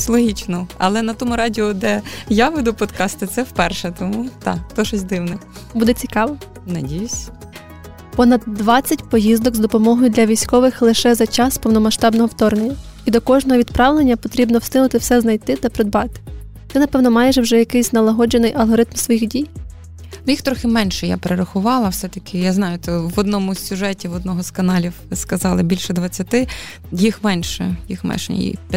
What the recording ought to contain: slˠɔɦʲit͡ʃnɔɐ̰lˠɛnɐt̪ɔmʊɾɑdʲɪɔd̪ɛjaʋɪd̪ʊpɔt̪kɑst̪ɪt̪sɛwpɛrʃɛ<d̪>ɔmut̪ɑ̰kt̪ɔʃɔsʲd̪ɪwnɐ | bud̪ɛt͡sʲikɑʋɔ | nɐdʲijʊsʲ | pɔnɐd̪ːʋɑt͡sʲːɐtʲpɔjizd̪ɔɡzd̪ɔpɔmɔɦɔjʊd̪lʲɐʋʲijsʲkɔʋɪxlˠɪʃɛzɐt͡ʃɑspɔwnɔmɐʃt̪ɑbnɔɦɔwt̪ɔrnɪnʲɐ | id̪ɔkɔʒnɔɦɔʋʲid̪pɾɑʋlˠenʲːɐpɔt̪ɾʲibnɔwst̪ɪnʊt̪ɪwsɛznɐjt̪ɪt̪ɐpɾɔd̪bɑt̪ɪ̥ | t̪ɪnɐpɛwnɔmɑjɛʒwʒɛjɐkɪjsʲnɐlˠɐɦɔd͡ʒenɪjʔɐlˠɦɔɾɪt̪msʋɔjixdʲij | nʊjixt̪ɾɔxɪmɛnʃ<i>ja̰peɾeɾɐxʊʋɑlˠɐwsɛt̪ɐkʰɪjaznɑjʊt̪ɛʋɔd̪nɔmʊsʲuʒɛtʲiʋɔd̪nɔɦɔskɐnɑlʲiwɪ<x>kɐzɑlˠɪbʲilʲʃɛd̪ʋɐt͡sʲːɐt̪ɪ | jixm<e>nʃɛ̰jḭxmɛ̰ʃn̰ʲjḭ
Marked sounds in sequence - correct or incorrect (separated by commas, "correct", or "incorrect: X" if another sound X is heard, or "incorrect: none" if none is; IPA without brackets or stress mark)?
incorrect: t̪, incorrect: ɛ, incorrect: s, incorrect: ɛ